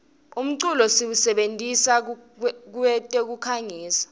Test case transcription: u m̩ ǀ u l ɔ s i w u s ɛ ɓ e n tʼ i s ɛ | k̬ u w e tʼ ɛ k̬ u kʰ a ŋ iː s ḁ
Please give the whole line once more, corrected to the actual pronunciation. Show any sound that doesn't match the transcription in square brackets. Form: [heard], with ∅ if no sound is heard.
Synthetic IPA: u m̩ ǀ u l ɔ s i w u s ɛ ɓ e n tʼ i s [a] | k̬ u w [ɛ] tʼ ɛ k̬ u kʰ a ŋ iː s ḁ